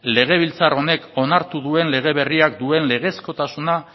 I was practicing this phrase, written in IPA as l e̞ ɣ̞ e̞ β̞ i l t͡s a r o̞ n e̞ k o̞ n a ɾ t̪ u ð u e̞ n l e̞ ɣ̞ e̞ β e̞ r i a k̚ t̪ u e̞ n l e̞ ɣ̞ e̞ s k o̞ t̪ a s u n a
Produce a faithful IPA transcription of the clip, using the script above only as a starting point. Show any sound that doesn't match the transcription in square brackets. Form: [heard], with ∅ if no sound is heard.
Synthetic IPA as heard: l e̞ ɣ̞ e̞ β̞ i l t͡s a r o̞ n e̞ k o̞ n a ɾ t̪ u ð u e̞ n l e̞ ɣ̞ e̞ β e̞ r i a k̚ [d̪] u e̞ n l e̞ ɣ̞ e̞ s k o̞ t̪ a s u n a